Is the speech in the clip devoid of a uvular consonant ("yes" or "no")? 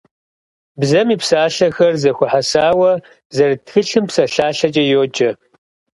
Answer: yes